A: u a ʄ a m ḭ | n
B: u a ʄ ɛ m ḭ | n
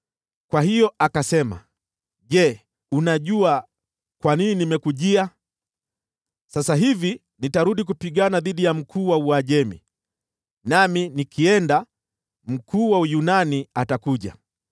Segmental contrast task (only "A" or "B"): B